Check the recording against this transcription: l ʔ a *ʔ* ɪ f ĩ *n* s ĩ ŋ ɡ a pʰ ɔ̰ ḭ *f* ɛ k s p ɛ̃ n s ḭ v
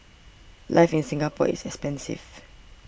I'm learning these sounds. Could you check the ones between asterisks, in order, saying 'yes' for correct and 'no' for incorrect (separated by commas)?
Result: no, yes, no